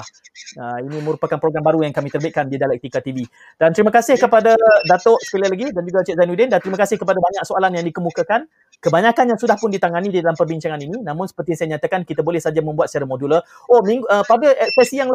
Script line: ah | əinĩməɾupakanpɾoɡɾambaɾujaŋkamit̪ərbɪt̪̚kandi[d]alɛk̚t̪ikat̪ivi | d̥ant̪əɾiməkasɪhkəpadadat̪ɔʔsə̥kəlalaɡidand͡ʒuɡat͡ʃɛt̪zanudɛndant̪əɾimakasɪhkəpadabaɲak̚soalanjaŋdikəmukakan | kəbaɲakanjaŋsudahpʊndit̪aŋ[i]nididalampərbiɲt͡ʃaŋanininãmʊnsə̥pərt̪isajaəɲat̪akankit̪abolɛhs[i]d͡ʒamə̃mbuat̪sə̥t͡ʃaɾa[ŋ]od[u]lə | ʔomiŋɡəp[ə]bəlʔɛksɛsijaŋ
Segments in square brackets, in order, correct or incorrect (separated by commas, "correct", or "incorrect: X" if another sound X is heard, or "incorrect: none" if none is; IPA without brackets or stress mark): correct, incorrect: a, incorrect: a, incorrect: m, correct, incorrect: a